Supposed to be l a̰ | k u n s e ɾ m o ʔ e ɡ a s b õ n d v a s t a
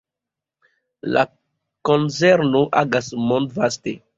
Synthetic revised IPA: l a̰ | k o n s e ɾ n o ʔ a ɡ a s m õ n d v a s t e

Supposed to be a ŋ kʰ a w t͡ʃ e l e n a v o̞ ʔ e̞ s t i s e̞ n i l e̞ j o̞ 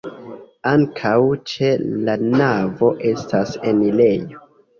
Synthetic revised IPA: a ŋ kʰ a w t͡ʃ e l a n a v o̞ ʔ e̞ s t a s e̞ n i l e̞ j o̞

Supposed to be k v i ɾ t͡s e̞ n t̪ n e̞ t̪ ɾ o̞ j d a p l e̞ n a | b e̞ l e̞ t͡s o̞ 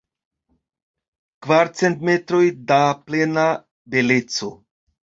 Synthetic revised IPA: k v a ɾ t͡s e̞ n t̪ m e̞ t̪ ɾ o̞ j d a p l e̞ n a | b e̞ l e̞ t͡s o̞

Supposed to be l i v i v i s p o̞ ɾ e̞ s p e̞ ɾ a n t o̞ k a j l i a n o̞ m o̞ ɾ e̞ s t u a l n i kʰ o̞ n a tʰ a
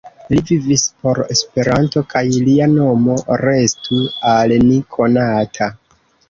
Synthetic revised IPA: l i v i v i s p o̞ ɾ e̞ s p e̞ ɾ a n t o̞ k a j l i a n o̞ m o̞ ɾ e̞ s t u a l n i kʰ o̞ n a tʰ a

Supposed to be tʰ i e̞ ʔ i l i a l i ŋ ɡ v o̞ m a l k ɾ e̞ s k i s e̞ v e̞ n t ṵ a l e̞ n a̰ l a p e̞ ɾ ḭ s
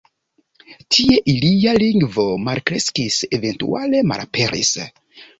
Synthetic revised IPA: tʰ i e̞ ʔ i l i a l i ŋ ɡ v o̞ m a l k ɾ e̞ s k i s e̞ v e̞ n t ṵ a l e̞ m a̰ l a p e̞ ɾ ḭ s

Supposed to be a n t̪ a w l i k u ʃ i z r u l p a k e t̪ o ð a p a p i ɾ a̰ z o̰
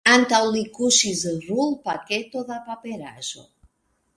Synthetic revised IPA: a n t̪ a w l i k u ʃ i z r u l p a k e t̪ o ð a p a p e ɾ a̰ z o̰

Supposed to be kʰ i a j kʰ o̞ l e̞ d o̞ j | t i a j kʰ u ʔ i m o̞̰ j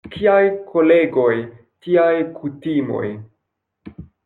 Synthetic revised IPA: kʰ i a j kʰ o̞ l e̞ ɡ o̞ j | t i a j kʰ u t i m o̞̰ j

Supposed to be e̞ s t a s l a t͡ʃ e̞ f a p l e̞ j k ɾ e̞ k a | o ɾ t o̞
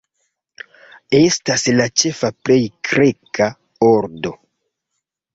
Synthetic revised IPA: e̞ s t a s l a t͡ʃ e̞ f a p l e̞ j k ɾ e̞ k a | o ɾ d o̞

